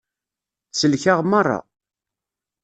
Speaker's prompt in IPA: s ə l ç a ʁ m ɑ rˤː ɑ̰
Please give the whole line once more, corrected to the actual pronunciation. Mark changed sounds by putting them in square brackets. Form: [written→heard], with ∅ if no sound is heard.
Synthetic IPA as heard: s ə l ç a ʁ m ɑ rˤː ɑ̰